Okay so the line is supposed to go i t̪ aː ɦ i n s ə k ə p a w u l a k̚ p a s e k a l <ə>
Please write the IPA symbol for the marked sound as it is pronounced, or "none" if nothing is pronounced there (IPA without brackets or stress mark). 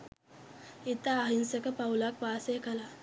a